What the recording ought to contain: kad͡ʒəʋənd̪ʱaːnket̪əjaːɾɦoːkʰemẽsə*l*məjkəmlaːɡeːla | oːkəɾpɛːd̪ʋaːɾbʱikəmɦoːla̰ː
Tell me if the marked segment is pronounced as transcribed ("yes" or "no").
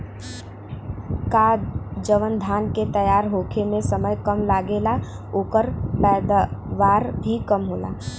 no